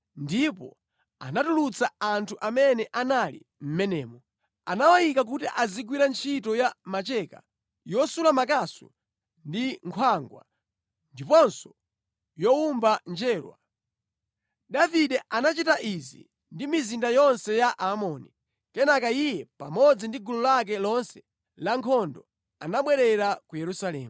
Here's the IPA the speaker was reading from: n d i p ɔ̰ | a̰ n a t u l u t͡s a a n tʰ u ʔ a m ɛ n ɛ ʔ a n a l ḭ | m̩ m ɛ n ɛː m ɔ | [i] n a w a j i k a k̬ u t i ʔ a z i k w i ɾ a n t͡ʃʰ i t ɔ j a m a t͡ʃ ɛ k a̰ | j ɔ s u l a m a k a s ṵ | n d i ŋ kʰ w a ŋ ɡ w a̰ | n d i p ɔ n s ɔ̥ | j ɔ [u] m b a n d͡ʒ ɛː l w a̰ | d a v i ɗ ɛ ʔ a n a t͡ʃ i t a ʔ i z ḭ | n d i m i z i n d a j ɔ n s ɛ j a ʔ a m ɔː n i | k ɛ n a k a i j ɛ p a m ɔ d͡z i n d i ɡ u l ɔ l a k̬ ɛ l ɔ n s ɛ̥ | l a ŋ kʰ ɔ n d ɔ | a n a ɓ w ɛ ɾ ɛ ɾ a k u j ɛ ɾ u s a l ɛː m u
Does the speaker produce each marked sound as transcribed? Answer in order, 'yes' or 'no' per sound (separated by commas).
no, yes